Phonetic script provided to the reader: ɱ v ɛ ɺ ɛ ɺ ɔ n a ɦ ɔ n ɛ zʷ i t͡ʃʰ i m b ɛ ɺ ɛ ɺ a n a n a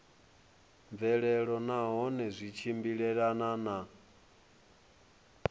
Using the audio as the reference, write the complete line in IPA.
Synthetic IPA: ɱ v ɛ ɺ ɛ ɺ ɔ n a ɦ ɔ n ɛ zʷ i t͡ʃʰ i m b i ɺ ɛ ɺ a n a n a